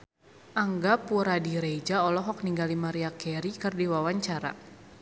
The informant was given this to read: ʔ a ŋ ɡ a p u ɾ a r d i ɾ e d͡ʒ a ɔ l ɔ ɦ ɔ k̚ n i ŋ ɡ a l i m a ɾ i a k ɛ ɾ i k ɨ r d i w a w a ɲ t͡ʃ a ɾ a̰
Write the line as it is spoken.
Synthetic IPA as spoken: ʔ a ŋ ɡ a p u ɾ a d i ɾ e d͡ʒ a ɔ l ɔ ɦ ɔ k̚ n i ŋ ɡ a l i m a ɾ i a k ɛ ɾ i k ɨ r d i w a w a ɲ t͡ʃ a ɾ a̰